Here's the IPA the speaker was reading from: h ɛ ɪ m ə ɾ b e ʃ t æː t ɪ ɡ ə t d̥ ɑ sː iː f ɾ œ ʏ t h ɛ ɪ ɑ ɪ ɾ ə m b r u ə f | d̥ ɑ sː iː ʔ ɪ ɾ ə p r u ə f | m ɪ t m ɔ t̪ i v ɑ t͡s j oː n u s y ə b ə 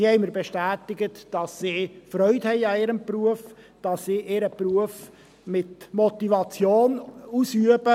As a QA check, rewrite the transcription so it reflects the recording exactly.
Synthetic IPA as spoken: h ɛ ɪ m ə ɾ b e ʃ t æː t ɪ ɡ ə t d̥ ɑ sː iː f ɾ œ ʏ t h ɛ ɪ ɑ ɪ ɾ ə m p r u ə f | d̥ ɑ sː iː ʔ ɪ ɾ ə p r u ə f | m ɪ t m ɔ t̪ i v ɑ t͡s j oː n u s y ə b ə